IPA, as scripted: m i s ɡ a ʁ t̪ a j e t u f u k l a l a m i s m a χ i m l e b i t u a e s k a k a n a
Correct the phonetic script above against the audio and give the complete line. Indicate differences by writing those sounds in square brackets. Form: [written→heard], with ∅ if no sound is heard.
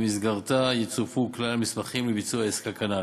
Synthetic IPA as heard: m i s ɡ a ʁ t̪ a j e [t→t͡s] u f u k l a l a m i s m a χ i m l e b i [t→t͡s] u a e s k a k a n a